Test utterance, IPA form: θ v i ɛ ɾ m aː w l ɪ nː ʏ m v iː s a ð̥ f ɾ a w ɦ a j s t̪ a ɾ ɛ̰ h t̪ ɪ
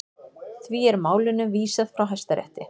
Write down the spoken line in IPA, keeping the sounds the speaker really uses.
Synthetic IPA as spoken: θ v i ɛ ɾ m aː w l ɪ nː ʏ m v iː s a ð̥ f ɾ a w ɦ a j s t̪ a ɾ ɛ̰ h t̪ ɪ